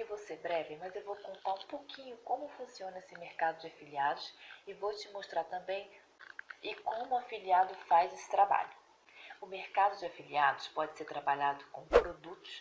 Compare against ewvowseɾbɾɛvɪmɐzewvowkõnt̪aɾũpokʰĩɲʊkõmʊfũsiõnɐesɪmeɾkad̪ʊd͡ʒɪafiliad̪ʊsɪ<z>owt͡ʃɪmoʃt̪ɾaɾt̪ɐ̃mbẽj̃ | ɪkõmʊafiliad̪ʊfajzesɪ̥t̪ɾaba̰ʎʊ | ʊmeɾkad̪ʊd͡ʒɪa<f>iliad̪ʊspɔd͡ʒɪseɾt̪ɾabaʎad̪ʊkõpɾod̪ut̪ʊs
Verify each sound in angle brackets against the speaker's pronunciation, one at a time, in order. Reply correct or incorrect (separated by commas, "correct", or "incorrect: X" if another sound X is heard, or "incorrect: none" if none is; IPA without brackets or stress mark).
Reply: incorrect: v, correct